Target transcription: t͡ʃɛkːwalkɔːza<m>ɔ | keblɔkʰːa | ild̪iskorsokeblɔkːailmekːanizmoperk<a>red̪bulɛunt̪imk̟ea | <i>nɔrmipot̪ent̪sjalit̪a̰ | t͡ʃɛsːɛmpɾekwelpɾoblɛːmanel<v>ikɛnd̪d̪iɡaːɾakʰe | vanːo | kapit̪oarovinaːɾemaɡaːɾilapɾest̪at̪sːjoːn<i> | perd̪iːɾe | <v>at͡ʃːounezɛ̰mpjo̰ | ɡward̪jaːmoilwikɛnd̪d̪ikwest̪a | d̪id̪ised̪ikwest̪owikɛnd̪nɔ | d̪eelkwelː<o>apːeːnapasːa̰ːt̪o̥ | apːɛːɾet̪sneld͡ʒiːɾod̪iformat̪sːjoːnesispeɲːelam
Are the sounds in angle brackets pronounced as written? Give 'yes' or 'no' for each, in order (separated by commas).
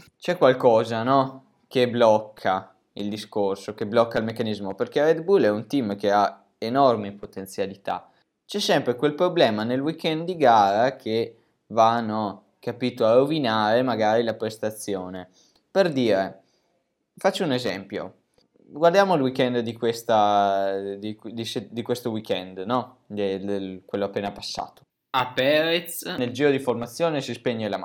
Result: no, no, no, no, no, no, yes